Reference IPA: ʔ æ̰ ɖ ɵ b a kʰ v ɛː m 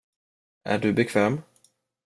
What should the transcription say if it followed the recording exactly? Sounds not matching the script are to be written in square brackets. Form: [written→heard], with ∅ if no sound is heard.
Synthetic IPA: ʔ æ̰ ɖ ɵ b [a→ɛ] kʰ v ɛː m

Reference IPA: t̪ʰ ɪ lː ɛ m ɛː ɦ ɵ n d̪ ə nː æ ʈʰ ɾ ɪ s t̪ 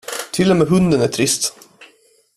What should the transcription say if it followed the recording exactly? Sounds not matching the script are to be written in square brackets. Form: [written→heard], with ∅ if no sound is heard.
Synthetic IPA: t̪ʰ ɪ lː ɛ m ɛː ɦ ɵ n d̪ ə [nː→n] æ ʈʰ ɾ ɪ s t̪

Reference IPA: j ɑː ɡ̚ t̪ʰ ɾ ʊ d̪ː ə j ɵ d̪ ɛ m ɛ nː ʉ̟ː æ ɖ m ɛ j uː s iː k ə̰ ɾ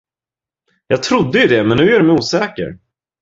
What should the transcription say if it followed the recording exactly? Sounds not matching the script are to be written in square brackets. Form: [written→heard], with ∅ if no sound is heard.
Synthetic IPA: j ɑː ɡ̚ t̪ʰ ɾ ʊ d̪ː ə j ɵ d̪ ɛ m ɛ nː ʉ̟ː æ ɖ m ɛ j uː s [iː→ɛː] k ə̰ ɾ

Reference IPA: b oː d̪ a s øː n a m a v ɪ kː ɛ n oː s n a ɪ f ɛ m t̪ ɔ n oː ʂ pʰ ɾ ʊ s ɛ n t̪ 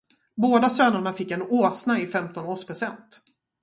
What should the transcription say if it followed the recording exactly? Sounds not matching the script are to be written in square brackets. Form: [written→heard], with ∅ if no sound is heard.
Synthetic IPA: b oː d̪ a s øː n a [m→ɳ] a [v→f] ɪ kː ɛ n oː s n a ɪ f ɛ m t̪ ɔ n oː ʂ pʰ ɾ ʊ s ɛ n t̪

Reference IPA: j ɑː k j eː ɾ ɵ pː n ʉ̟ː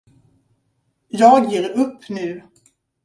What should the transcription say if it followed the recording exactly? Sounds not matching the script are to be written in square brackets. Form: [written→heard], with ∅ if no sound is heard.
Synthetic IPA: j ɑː [k→ɡ] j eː ɾ ɵ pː n ʉ̟ː

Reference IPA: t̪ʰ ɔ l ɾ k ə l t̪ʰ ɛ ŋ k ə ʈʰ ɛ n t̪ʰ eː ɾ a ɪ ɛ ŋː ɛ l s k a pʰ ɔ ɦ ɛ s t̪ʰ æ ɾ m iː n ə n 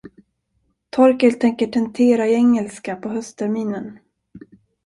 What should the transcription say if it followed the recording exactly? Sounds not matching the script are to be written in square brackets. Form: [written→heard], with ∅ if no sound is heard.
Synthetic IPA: t̪ʰ ɔ [l→∅] ɾ k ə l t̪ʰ ɛ ŋ k ə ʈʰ ɛ n t̪ʰ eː ɾ a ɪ ɛ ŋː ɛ l s k a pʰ ɔ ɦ [ɛ→œ] s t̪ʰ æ ɾ m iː n ə n

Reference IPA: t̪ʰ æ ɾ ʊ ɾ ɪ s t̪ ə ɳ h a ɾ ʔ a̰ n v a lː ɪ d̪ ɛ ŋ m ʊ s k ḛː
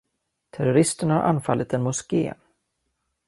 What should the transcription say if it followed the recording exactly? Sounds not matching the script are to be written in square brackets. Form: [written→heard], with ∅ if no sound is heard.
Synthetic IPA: t̪ʰ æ ɾ ʊ ɾ ɪ s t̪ ə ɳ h a ɾ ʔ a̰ n [v→f] a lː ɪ [d̪→t̪] ɛ [ŋ→n] m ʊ s k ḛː

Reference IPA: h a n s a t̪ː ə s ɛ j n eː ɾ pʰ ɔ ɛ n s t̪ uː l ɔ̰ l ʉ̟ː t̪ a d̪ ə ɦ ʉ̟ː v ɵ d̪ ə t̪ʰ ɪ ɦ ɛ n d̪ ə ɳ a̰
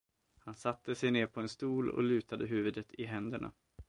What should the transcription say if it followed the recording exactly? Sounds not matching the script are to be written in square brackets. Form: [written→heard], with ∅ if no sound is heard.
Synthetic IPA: h a n s a t̪ː ə s ɛ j n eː ɾ pʰ ɔ ɛ n s t̪ uː l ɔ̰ l ʉ̟ː t̪ a d̪ ə ɦ ʉ̟ː v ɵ d̪ ə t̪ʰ ɪ ɦ ɛ n d̪ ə ɳ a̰

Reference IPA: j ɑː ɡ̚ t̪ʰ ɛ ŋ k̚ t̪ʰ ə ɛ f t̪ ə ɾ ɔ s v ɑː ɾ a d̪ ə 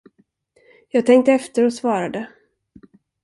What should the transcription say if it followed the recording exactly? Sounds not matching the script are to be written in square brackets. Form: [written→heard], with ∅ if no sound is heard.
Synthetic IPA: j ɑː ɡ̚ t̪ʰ ɛ ŋ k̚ [t̪ʰ→t̪] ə ɛ f t̪ ə ɾ ɔ s v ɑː ɾ a d̪ ə

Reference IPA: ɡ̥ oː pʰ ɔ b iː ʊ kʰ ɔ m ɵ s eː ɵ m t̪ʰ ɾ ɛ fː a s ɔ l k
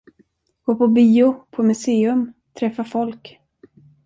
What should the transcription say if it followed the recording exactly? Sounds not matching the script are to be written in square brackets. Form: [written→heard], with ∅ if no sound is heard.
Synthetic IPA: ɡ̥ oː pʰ ɔ b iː ʊ [kʰ→pʰ] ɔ m ɵ s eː ɵ m t̪ʰ ɾ ɛ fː a [s→f] ɔ l k

